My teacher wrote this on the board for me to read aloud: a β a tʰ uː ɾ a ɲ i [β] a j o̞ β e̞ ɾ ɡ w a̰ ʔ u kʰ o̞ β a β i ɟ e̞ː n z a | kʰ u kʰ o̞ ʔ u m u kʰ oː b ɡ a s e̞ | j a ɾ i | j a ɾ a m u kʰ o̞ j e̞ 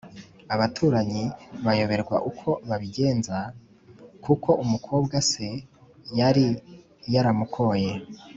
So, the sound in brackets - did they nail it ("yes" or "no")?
yes